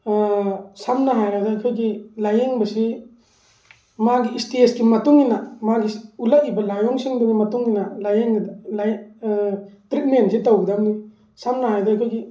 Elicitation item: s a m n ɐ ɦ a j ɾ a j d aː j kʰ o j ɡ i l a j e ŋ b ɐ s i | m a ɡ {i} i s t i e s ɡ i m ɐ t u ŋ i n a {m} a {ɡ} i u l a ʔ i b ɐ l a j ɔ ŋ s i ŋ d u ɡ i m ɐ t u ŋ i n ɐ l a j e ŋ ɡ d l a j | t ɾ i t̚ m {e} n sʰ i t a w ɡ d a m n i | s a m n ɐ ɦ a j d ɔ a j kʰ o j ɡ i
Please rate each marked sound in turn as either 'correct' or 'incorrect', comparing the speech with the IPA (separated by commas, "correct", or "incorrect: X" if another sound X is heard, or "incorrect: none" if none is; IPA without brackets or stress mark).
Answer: correct, correct, correct, correct